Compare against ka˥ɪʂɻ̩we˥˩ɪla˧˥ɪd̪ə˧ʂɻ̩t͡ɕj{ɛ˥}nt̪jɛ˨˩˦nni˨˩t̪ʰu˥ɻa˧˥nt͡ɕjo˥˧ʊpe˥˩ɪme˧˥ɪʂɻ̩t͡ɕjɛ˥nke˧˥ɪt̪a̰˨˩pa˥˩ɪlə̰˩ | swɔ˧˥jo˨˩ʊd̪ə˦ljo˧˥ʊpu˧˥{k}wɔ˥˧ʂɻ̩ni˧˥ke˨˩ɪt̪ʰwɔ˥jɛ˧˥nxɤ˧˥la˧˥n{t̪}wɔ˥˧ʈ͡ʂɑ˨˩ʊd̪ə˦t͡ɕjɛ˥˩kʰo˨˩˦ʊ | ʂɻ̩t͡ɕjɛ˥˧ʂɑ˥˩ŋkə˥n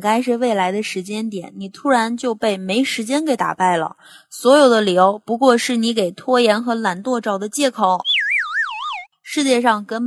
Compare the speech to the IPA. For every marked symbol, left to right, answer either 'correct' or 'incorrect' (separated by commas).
correct, correct, correct